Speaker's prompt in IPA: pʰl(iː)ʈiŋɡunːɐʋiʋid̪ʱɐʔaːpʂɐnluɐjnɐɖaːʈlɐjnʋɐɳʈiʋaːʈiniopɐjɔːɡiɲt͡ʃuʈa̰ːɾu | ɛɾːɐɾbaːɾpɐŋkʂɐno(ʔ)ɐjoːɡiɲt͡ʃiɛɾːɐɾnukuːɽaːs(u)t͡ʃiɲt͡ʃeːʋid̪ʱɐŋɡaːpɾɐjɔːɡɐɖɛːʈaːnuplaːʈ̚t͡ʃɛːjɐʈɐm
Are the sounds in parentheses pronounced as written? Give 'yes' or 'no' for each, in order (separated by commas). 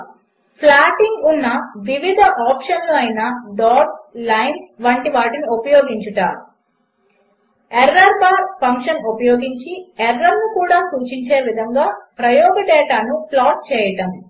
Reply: no, no, no